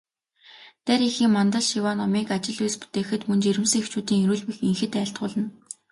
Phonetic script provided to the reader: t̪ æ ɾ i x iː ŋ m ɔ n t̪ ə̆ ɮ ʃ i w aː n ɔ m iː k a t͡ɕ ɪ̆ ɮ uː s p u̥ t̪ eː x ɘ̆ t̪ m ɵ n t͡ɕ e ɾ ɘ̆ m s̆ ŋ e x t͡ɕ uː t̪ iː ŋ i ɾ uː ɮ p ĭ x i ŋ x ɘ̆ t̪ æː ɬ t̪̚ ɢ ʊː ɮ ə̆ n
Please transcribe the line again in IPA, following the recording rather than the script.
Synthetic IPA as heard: t̪ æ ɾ i x iː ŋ m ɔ n t̪ ə̆ ɮ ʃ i w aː n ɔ m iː k a t͡ɕ ɪ̆ ɮ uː s p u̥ t̪ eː x ɘ̆ t̪ m ɵ n t͡ɕ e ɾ ɘ̆ m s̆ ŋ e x t͡ɕ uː t̪ iː ŋ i ɾ uː ɮ p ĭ x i ŋ x ɘ̆ t̪ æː ɬ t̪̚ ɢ ʊː ɮ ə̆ n